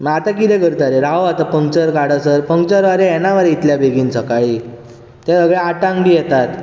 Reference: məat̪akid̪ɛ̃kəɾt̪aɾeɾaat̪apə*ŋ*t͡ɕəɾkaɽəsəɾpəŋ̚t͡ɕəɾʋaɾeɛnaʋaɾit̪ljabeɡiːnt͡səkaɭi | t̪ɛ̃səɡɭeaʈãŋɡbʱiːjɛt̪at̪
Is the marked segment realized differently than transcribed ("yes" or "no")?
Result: no